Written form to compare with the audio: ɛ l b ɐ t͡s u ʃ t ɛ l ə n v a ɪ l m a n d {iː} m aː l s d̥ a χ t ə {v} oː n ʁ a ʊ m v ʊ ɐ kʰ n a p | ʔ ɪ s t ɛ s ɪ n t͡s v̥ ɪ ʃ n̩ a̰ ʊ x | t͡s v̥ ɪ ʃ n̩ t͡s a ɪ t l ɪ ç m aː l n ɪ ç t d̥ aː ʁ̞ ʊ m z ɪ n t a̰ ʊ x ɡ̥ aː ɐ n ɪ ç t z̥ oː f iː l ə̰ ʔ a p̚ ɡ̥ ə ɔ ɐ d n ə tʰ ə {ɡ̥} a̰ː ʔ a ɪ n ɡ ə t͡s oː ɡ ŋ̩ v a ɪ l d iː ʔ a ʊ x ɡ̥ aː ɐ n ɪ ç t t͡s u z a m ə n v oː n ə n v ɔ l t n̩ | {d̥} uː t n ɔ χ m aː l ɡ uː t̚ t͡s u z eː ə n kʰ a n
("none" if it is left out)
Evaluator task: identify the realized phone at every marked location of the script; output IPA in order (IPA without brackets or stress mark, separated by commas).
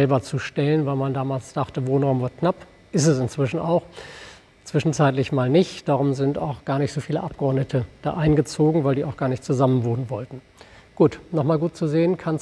aː, v, d̥, ɡ̥